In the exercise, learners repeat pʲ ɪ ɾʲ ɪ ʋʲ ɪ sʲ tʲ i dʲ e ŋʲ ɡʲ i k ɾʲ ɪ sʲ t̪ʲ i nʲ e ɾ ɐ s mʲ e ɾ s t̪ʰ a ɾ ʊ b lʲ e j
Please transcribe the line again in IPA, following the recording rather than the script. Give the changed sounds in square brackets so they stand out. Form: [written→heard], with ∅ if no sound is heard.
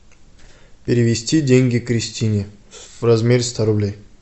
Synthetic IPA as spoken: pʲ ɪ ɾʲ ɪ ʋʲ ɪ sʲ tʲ i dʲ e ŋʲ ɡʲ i k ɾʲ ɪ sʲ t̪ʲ i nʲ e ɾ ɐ [s→z] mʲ e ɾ s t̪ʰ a ɾ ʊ b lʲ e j

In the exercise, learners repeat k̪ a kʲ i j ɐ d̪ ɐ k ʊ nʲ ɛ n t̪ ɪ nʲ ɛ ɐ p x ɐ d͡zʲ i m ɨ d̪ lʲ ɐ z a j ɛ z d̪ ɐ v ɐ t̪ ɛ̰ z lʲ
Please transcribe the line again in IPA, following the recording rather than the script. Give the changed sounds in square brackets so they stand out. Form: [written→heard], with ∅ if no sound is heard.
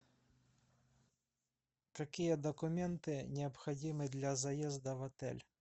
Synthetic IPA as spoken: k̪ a kʲ i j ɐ d̪ ɐ k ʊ [nʲ→mʲ] ɛ n t̪ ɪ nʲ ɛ ɐ p x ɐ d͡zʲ i m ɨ d̪ lʲ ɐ z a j ɛ z d̪ ɐ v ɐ t̪ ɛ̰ [z→∅] lʲ

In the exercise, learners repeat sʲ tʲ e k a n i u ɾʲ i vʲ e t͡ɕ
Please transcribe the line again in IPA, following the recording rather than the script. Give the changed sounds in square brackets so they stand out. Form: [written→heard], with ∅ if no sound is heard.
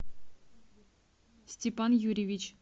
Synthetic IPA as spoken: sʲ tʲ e [k→p] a n [i→j] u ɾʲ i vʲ [e→i] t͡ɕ

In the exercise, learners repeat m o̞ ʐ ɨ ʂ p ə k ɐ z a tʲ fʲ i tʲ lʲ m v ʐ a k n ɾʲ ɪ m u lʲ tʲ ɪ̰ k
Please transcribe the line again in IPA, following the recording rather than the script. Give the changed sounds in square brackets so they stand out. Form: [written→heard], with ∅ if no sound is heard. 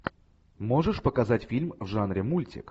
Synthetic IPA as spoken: m o̞ ʐ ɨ ʂ p ə k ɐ z a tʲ fʲ i [tʲ→∅] lʲ m v ʐ a [k→∅] n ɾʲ ɪ m u lʲ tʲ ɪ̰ k

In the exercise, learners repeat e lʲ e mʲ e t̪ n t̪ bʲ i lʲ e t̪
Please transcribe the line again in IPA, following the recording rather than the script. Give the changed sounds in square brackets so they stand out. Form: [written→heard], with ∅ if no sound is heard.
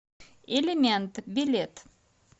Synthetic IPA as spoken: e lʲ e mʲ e [t̪→∅] n t̪ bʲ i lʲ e t̪

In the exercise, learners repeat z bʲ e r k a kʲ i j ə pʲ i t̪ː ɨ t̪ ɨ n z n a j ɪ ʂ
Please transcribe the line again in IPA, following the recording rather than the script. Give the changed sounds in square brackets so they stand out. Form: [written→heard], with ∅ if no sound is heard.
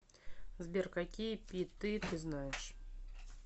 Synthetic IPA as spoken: z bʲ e r k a kʲ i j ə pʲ i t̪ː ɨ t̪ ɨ [n→∅] z n a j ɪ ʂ

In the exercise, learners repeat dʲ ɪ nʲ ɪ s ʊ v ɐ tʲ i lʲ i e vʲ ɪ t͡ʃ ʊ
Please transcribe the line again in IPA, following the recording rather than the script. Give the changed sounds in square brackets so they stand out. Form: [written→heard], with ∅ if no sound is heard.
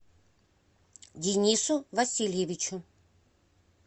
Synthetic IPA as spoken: dʲ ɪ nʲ [ɪ→i] s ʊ v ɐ [tʲ→sʲ] i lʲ [i→j] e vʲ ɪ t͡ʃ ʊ

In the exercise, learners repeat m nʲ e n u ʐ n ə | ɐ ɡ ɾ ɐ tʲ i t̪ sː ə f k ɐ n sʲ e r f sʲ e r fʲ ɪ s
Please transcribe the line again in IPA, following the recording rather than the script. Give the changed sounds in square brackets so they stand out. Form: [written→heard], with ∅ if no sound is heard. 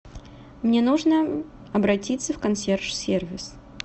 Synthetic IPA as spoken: m nʲ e n u ʐ n ə | ɐ [ɡ→b] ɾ ɐ tʲ i t̪ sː ə f k ɐ n sʲ e r [f→ʂ] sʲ e r [fʲ→vʲ] ɪ s

